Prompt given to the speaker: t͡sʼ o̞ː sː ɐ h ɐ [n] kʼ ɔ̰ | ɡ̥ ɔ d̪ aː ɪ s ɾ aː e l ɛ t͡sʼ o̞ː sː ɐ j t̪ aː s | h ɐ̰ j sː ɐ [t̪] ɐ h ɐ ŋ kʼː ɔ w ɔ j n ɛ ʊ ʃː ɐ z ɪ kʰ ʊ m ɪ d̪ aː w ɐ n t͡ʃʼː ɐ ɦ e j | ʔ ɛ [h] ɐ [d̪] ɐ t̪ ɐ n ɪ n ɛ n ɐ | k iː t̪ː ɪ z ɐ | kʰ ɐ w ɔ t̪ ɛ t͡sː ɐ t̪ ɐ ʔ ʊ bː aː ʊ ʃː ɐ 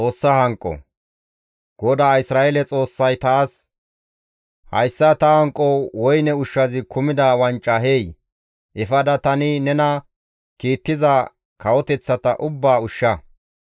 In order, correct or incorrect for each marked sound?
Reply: incorrect, correct, incorrect, correct

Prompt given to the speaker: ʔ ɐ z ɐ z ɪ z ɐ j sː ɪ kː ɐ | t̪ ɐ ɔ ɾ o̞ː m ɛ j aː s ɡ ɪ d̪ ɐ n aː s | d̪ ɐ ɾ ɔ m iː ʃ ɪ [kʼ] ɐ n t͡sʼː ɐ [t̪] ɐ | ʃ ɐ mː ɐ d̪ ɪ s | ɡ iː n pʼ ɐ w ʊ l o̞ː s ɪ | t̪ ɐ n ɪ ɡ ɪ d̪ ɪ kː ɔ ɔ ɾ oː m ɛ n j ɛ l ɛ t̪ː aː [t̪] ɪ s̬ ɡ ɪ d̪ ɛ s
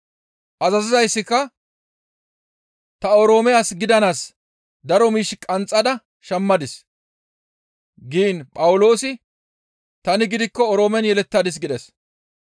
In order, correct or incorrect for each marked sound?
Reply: correct, incorrect, incorrect

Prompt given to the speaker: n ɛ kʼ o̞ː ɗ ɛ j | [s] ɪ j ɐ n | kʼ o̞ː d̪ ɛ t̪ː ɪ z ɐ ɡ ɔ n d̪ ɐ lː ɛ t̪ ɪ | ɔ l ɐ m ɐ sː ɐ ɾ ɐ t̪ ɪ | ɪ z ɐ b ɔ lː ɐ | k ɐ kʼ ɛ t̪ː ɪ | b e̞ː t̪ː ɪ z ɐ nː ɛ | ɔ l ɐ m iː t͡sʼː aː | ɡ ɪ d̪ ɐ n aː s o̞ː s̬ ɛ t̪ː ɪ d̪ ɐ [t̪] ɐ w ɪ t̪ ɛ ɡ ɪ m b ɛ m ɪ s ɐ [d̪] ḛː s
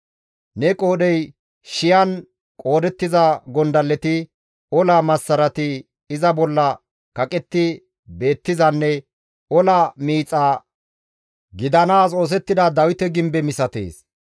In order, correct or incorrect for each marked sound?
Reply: incorrect, incorrect, incorrect

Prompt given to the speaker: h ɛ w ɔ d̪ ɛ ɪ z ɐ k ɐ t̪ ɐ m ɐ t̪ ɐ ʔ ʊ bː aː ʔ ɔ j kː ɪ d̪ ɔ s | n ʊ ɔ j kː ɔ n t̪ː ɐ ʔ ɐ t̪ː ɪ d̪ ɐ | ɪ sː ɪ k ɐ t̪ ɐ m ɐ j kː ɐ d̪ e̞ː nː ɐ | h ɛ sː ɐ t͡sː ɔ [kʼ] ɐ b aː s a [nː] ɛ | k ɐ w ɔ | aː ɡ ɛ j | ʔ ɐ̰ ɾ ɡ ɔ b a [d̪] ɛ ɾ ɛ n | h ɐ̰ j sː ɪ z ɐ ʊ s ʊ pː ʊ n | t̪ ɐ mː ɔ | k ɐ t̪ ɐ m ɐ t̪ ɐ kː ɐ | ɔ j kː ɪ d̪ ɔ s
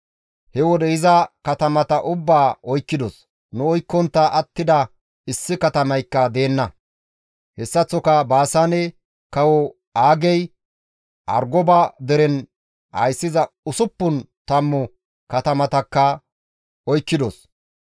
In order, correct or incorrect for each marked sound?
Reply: incorrect, incorrect, correct

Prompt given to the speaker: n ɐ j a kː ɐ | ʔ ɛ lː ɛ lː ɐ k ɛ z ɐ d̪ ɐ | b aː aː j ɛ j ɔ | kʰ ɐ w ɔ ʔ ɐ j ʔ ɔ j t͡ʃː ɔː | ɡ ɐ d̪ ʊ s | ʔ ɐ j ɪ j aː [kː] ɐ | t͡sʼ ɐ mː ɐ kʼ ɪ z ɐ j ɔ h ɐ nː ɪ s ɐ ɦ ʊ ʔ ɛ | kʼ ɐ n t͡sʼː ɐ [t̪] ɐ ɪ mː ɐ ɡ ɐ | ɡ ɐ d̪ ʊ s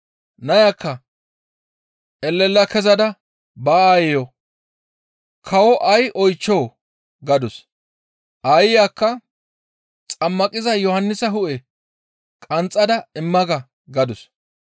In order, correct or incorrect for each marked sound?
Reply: correct, incorrect

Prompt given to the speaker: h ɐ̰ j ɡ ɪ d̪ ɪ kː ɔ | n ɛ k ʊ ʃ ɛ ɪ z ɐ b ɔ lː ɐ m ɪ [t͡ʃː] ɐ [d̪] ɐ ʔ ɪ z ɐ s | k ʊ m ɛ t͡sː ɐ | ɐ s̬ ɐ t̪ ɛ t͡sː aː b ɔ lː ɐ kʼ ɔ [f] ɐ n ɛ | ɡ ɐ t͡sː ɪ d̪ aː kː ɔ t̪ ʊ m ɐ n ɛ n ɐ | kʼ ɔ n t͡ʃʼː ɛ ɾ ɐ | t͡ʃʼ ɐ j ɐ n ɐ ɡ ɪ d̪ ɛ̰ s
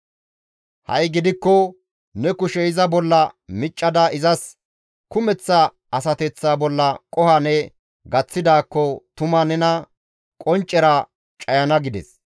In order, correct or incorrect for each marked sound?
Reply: incorrect, correct, incorrect

